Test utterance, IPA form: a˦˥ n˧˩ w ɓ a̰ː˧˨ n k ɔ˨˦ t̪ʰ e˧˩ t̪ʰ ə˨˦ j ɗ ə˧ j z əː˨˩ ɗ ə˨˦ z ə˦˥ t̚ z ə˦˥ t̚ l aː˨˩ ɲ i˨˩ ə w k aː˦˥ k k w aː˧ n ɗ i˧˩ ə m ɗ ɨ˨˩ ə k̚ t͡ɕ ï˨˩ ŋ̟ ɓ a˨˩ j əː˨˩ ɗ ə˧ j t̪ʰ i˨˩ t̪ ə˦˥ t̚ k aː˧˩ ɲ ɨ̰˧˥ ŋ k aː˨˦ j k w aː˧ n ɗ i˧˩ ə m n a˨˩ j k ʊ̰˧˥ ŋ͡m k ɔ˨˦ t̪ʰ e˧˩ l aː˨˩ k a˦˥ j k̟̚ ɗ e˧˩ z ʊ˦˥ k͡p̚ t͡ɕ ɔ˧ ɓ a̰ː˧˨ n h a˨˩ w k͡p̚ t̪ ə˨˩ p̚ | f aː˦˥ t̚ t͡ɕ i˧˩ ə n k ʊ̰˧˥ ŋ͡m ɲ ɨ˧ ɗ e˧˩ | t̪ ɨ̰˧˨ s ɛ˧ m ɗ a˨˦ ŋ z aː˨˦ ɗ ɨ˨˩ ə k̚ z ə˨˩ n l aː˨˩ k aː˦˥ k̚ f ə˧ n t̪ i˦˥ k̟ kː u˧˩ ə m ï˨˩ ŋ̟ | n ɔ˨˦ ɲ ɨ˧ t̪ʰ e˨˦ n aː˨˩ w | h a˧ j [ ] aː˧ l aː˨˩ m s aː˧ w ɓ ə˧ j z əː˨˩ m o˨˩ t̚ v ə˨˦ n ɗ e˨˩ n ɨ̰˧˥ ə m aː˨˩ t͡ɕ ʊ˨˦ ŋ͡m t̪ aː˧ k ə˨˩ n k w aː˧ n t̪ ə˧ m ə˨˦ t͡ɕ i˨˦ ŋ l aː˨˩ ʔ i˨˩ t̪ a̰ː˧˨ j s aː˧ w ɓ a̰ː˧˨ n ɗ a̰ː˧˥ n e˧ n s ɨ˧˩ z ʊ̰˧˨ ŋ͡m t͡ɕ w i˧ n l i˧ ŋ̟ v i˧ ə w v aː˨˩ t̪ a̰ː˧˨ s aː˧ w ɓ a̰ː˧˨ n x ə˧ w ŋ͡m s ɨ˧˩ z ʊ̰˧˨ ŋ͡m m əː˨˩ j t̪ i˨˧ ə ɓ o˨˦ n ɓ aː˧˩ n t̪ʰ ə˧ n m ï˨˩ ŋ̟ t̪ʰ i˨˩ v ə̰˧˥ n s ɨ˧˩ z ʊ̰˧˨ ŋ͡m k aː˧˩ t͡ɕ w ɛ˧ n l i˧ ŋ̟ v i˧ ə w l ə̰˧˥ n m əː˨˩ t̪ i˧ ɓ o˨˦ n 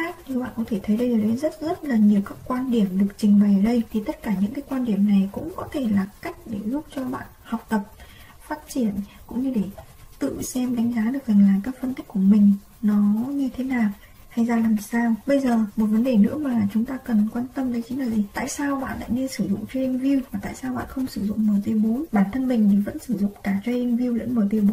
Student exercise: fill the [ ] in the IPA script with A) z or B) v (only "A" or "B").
A